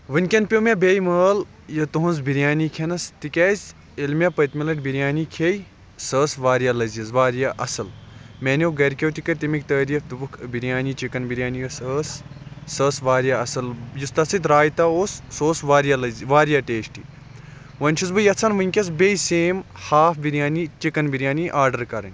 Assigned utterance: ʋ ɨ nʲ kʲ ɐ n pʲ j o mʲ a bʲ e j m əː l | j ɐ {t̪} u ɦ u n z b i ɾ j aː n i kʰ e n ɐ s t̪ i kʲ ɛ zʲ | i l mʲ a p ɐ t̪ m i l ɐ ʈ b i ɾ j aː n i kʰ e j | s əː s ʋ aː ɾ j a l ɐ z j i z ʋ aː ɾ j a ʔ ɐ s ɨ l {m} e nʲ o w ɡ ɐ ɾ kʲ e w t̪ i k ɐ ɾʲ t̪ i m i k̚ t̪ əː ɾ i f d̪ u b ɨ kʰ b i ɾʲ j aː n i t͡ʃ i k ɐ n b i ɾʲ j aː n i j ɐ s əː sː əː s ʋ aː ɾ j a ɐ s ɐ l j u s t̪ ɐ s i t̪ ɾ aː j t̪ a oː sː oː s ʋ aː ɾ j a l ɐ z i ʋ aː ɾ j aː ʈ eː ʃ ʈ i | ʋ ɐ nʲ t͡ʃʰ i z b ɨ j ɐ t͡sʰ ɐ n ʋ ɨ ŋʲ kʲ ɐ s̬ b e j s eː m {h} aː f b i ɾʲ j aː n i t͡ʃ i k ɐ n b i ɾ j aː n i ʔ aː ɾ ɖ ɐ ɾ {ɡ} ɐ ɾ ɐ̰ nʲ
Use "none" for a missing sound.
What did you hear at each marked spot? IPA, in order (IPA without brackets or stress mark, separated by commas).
t̪, m, h, k